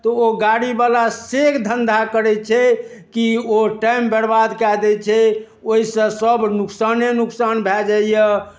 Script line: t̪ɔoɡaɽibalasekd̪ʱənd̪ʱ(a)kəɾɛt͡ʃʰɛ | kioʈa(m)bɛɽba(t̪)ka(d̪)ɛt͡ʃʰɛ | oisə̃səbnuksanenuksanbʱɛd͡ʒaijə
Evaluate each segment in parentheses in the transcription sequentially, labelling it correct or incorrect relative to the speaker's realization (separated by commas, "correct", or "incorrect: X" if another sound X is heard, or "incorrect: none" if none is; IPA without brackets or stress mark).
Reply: correct, correct, incorrect: d̪, correct